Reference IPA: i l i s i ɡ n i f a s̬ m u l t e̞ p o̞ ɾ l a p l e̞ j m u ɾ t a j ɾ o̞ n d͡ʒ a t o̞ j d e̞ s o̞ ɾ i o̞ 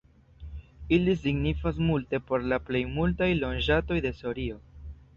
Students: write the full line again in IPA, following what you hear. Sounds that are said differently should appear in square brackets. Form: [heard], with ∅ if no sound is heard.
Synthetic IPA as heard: i l i s i ɡ n i f a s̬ m u l t e̞ p o̞ ɾ l a p l e̞ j m u [l] t a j [l] o̞ n d͡ʒ a t o̞ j d e̞ s o̞ ɾ i o̞